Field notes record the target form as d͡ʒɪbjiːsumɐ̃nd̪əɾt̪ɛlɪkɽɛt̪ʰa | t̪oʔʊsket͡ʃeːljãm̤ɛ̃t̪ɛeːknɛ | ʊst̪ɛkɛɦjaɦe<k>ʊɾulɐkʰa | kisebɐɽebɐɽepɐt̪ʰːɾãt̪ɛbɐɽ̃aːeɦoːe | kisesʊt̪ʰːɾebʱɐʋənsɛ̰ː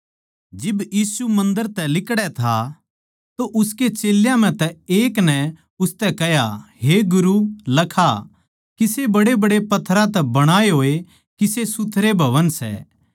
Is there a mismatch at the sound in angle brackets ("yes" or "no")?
yes